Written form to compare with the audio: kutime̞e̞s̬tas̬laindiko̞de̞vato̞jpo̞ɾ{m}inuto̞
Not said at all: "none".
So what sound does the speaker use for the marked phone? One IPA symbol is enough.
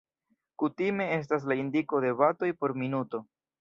m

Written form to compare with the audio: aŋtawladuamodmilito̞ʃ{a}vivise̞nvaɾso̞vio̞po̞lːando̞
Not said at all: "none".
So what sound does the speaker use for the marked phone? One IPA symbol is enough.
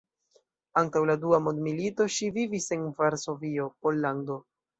i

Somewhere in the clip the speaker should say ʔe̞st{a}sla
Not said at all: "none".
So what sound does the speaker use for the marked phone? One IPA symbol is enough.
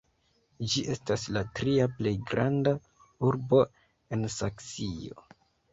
a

